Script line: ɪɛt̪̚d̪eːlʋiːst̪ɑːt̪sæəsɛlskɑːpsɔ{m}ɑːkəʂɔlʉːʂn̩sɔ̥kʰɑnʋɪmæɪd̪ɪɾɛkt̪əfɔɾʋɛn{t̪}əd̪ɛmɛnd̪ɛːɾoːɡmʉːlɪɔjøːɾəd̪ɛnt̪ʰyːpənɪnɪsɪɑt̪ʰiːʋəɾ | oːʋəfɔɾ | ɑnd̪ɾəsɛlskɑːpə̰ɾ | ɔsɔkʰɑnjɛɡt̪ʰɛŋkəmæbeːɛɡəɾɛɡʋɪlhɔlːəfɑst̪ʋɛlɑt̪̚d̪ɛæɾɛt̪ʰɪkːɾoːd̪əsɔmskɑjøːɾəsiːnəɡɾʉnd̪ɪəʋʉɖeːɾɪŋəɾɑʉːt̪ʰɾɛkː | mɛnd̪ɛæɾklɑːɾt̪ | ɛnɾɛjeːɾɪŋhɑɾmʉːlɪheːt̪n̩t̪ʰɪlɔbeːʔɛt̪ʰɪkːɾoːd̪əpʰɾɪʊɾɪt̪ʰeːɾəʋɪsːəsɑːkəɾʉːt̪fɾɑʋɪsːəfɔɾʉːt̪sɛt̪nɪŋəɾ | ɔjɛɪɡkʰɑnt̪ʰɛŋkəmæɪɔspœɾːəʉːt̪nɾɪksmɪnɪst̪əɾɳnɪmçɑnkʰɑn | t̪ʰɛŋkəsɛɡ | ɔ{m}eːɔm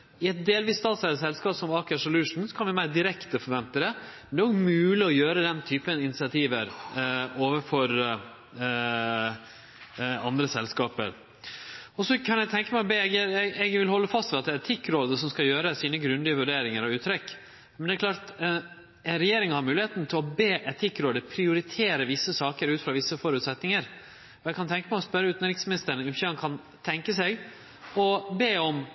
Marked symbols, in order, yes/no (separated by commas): yes, yes, no